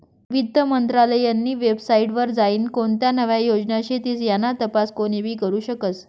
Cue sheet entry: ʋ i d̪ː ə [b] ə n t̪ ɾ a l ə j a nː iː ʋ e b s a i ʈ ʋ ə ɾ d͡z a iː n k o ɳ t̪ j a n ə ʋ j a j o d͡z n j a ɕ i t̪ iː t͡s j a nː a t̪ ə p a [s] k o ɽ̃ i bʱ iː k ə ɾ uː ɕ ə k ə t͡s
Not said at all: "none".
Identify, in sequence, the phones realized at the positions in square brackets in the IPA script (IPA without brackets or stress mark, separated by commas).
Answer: m, s